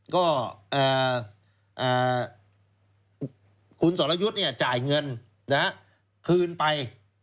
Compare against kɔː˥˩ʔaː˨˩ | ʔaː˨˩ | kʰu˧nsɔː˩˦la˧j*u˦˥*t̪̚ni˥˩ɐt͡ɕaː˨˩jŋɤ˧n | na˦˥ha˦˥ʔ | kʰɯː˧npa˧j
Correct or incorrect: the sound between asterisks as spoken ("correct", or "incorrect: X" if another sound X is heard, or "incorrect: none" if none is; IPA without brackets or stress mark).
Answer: correct